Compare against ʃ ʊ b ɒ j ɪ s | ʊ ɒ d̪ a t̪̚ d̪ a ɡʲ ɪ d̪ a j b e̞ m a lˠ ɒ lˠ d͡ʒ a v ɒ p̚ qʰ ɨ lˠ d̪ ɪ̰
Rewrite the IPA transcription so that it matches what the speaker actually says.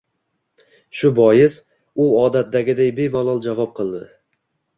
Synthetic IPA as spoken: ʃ ʊ b ɒ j ɪ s | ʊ ɒ d̪ a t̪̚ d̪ a ɡʲ ɪ d̪ a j b e̞ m a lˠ ɒ lˠ d͡ʒ a v ɒ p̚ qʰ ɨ lˠ d̪ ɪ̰